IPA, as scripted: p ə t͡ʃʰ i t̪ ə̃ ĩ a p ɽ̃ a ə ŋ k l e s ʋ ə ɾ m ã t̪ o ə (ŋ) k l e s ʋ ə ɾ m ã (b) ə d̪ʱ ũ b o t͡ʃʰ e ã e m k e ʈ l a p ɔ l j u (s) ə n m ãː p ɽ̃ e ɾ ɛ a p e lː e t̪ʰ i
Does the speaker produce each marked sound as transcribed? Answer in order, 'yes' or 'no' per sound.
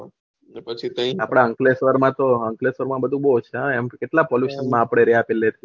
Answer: yes, yes, no

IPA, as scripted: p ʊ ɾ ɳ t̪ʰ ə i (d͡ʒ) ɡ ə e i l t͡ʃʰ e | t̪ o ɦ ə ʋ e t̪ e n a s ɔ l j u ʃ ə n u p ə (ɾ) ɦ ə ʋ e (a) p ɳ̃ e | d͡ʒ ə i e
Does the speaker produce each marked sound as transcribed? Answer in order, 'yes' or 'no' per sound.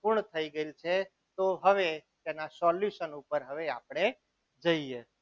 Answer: no, yes, yes

